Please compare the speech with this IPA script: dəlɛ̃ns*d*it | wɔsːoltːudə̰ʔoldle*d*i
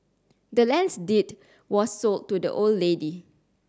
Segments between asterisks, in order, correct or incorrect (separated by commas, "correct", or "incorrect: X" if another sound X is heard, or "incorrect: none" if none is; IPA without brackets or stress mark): correct, correct